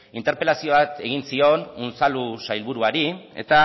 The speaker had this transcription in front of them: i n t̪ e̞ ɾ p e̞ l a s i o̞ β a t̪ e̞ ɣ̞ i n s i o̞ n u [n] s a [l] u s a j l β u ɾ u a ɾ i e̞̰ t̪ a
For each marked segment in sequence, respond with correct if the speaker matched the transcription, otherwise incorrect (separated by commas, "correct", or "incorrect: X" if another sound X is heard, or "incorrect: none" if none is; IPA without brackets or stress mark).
correct, correct